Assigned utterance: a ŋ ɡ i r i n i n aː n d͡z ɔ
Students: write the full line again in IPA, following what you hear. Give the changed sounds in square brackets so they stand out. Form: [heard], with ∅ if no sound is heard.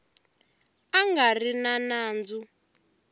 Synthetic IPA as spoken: a ŋ ɡ [a] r i n [a] n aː n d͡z [u]

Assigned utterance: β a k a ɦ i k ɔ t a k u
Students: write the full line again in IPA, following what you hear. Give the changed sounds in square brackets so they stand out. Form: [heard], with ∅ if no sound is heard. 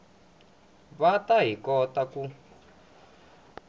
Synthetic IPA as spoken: β a [t] a ɦ i k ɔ t a k u

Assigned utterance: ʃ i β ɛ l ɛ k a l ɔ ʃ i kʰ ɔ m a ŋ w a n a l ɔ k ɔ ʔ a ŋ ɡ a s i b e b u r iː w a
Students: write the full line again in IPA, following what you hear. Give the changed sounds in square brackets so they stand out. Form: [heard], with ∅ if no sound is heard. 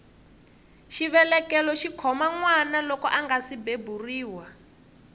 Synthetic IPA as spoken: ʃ i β ɛ l ɛ k [ɛ] l ɔ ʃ i kʰ ɔ m a ŋ w a n a l ɔ k ɔ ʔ a ŋ ɡ a s i b e b u r iː w a

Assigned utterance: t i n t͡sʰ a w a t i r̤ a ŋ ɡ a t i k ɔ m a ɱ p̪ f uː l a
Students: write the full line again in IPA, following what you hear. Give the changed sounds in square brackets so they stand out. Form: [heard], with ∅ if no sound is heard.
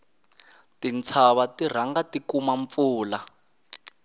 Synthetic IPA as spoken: t i n t͡sʰ a [β] a t i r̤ a ŋ ɡ a t i k [u] m a ɱ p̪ f uː l a

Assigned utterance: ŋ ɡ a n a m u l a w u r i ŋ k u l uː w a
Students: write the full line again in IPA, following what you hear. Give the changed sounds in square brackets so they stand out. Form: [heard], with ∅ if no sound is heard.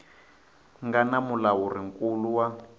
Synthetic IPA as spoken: ŋ ɡ a n a m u l a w u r i ŋ k u l [u] w a

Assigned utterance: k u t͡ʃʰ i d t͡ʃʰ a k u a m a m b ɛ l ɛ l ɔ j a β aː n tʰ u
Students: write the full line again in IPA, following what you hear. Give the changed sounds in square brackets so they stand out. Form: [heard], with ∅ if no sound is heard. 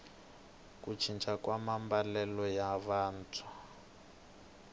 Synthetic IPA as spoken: k u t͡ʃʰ i [n] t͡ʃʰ a k [w] a m a m b [a] l ɛ l ɔ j a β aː n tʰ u

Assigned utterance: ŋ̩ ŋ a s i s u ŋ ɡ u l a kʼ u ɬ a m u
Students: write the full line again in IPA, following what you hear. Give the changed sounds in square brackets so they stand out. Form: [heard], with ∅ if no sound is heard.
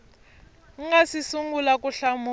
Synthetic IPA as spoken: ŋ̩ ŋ a s i s u ŋ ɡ u l a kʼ u ɬ a m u

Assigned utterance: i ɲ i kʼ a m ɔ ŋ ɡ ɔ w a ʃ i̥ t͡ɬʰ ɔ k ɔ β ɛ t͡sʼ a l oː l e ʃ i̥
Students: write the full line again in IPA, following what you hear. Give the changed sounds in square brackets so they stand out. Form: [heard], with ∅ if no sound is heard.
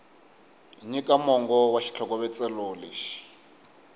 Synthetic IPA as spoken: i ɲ i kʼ a m ɔ ŋ ɡ ɔ w a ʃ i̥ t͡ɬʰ ɔ k ɔ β ɛ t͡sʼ [ɛ] l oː l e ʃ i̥

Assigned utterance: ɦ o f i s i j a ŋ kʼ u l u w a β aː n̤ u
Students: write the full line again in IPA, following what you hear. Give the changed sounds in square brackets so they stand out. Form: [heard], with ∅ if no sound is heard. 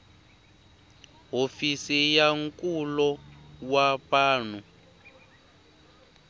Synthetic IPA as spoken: ɦ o f i s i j a ŋ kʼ u l [ɔ] w a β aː n̤ u

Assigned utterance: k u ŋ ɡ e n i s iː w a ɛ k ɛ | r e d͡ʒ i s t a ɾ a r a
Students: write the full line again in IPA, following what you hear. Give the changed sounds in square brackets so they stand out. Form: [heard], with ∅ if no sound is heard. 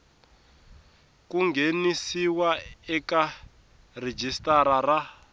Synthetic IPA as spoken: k u ŋ ɡ e n i s [i] w a ɛ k [a] | r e d͡ʒ i s t a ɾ a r a

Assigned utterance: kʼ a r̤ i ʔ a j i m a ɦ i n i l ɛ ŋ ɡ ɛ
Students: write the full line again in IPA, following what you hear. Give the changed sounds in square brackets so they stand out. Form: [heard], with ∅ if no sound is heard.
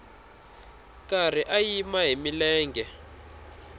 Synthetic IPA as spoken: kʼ a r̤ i ʔ a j i m a ɦ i [m] i l [ɛː] ŋ ɡ ɛ

